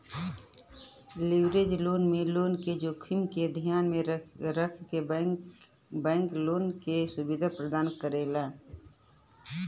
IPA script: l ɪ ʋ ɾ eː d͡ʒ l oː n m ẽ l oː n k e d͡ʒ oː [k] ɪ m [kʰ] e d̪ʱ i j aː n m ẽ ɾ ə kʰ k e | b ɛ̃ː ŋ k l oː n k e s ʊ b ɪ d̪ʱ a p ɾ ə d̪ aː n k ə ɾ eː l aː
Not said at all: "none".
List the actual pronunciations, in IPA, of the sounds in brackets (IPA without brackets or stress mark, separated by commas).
kʰ, k